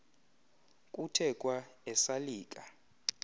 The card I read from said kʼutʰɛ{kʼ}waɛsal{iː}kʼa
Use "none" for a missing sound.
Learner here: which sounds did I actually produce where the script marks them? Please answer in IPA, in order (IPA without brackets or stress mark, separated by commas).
kʼ, iː